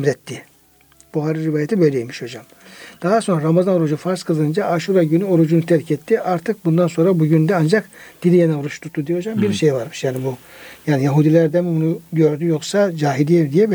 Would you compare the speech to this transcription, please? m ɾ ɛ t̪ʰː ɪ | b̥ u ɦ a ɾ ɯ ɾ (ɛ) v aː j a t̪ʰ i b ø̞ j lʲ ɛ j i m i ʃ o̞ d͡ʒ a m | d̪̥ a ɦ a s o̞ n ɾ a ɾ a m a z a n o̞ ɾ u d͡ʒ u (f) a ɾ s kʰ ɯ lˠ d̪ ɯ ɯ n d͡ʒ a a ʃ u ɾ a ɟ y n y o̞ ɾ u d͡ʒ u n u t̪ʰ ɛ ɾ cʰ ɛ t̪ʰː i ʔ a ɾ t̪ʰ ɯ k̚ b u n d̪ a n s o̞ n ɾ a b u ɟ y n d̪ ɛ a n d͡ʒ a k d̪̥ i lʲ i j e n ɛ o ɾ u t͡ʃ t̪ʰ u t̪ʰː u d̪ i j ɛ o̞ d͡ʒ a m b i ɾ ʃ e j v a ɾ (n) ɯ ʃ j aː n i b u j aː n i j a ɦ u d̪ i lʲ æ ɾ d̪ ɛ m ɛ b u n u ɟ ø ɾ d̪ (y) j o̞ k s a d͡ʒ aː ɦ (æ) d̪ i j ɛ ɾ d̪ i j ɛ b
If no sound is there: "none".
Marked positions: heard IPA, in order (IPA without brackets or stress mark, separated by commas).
i, f, m, y, i